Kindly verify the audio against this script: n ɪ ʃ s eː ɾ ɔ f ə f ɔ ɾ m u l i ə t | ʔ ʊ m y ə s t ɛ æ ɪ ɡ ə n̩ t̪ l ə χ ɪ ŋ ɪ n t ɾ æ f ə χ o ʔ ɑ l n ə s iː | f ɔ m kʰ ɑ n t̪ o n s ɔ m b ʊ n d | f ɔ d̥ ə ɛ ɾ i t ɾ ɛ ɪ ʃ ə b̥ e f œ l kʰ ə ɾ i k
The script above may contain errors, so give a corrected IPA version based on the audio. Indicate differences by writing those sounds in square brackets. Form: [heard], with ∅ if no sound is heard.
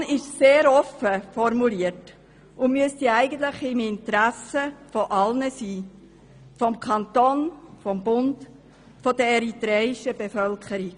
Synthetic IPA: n ɪ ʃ s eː ɾ ɔ f ə f ɔ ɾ m u l i ə t | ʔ ʊ m y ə s t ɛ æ ɪ ɡ ə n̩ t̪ l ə χ ɪ [m] ɪ n t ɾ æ [s] ə [f] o ʔ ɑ l n ə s iː | f ɔ m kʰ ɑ n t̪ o n [f] ɔ m b ʊ n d | f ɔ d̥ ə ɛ ɾ i t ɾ ɛ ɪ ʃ ə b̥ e f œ l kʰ ə ɾ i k